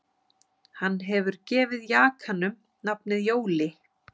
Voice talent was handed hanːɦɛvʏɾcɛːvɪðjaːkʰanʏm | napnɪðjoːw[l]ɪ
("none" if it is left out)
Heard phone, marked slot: l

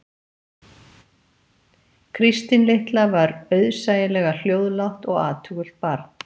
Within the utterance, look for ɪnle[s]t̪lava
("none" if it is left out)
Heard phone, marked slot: h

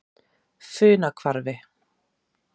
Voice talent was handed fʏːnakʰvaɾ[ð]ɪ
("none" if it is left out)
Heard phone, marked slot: v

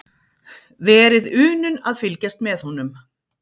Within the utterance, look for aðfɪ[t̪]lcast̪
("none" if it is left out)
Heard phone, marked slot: none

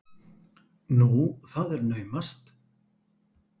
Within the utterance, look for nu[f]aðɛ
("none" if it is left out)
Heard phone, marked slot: θ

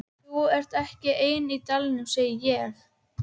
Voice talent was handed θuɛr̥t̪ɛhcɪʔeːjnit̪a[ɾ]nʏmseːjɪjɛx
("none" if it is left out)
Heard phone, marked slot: l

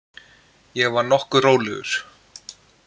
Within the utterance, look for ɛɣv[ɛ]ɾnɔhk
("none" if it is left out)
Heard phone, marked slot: a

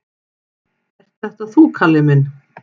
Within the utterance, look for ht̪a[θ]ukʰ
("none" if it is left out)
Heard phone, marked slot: θ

